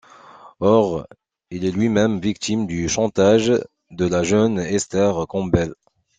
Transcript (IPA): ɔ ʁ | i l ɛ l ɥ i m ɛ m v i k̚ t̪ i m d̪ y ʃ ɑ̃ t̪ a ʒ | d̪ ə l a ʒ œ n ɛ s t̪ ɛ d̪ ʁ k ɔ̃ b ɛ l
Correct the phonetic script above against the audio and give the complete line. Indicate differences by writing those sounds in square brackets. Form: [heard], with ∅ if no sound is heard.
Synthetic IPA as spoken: ɔ ʁ | i l ɛ l ɥ i m ɛ m v i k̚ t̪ i m d̪ y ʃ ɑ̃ t̪ a ʒ | d̪ ə l a ʒ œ n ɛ s t̪ ɛ [∅] ʁ k ɔ̃ b ɛ l